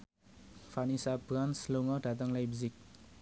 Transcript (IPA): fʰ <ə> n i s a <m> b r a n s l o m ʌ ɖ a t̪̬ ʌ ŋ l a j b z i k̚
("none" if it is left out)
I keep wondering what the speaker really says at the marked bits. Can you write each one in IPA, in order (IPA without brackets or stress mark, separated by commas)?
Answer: a, none